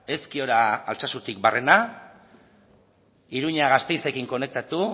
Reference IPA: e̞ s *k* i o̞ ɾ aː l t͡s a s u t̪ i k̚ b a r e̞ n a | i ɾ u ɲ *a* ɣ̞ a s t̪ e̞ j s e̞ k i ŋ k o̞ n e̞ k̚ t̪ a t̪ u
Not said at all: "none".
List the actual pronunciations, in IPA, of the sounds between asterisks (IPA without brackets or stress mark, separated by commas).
k, a